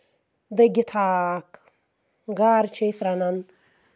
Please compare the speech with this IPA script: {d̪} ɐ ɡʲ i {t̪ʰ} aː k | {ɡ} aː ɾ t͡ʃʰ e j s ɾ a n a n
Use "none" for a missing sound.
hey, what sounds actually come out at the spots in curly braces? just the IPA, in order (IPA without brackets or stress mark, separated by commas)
d̪, t̪ʰ, ɡ